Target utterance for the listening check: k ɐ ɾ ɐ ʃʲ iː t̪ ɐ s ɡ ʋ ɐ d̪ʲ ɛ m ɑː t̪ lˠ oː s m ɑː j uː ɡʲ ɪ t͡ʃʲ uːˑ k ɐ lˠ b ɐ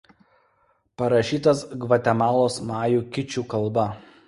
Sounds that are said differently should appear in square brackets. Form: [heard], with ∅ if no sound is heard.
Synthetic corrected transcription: [p] ɐ ɾ ɐ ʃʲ iː t̪ ɐ s ɡ ʋ ɐ [t̪ʲ] ɛ m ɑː [∅] lˠ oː s m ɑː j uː [kʲ] ɪ t͡ʃʲ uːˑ k ɐ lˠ b ɐ